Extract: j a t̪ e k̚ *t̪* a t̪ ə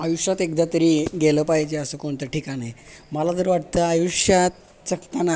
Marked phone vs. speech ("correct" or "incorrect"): incorrect